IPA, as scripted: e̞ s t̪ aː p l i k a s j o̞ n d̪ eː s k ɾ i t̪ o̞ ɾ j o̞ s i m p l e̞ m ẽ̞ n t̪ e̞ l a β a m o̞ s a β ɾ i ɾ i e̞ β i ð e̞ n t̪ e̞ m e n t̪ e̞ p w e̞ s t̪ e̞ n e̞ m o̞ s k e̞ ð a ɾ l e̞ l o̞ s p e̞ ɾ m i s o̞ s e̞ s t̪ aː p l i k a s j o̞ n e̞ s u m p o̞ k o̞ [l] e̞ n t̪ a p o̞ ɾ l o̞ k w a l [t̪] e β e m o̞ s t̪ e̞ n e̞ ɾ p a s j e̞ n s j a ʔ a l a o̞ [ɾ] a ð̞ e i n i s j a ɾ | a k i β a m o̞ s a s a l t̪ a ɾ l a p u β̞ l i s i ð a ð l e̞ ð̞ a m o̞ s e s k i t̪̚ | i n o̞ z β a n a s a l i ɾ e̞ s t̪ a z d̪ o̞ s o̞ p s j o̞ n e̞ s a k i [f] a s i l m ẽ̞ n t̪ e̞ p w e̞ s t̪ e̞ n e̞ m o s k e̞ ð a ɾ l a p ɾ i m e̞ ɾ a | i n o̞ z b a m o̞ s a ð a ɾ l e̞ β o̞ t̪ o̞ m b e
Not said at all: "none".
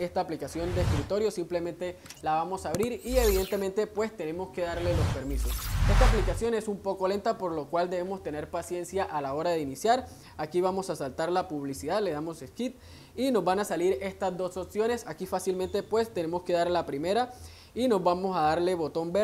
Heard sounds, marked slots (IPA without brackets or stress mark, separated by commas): l, d̪, ɾ, f